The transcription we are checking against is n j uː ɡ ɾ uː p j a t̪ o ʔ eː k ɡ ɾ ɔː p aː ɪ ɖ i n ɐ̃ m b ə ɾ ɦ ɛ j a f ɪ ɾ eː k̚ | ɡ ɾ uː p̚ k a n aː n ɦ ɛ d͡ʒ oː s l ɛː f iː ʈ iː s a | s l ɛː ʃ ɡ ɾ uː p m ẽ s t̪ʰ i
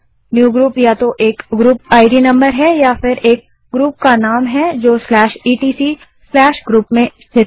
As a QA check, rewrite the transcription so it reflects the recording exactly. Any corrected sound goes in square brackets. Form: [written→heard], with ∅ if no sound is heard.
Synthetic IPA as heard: n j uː ɡ ɾ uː p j a t̪ o ʔ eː k ɡ ɾ [ɔː→uː] p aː ɪ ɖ i n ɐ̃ m b ə ɾ ɦ ɛ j a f ɪ ɾ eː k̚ | ɡ ɾ uː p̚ k a n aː [n→m] ɦ ɛ d͡ʒ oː s l ɛː [f→ʃ] iː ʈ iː s [a→i] | s l ɛː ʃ ɡ ɾ uː p m ẽ s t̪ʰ [i→ɪ]